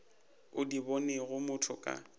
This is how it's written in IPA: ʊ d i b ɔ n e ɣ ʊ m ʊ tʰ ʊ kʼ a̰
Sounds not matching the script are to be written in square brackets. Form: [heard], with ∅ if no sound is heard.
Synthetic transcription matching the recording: ʊ d i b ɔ n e ɣ ʊ m ʊ tʰ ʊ kʼ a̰